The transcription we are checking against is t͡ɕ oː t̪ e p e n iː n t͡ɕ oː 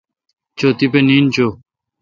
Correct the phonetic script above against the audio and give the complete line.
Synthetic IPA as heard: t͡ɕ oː t̪ i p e n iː n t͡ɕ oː